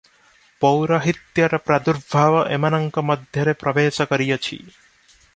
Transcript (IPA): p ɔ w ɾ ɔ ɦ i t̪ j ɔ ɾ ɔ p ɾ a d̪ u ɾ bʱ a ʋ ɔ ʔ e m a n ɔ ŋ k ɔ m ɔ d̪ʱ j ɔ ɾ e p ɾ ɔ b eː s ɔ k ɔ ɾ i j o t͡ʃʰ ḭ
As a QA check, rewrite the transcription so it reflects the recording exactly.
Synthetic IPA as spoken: p ɔ w ɾ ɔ ɦ i t̪ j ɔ ɾ ɔ p ɾ a d̪ u ɾ bʱ a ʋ ɔ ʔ e m a n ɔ ŋ k ɔ m ɔ d̪ʱ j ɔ ɾ e p ɾ ɔ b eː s ɔ k ɔ ɾ i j ɔ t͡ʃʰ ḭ